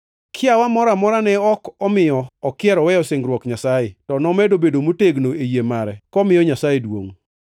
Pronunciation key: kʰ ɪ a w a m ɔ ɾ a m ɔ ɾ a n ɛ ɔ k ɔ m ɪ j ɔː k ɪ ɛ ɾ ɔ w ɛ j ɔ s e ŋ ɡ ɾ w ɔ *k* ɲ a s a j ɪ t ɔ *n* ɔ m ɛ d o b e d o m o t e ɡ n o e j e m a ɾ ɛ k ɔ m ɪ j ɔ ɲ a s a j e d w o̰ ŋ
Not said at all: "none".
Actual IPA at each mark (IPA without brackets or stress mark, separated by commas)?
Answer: k, n